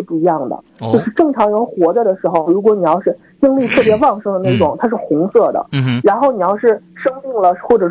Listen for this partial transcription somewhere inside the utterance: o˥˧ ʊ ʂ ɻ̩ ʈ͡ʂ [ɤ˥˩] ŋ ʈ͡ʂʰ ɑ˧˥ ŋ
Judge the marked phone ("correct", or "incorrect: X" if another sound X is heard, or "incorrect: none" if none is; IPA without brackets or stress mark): correct